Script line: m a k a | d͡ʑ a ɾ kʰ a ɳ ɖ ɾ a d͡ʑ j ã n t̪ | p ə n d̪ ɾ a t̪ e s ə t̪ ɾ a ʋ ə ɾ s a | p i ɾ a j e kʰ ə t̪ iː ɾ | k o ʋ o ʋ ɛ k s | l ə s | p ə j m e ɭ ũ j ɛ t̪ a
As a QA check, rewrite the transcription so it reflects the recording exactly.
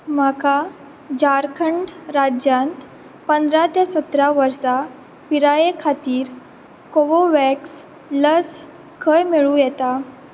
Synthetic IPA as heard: m a k a | d͡ʑ a ɾ kʰ ə ɳ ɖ ɾ a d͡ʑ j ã n t̪ | p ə n d̪ ɾ a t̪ e s ə t̪ ɾ a ʋ ə ɾ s a | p i ɾ a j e kʰ a t̪ iː ɾ | k o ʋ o ʋ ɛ k s | l ə s | k ə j m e ɭ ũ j ɛ t̪ a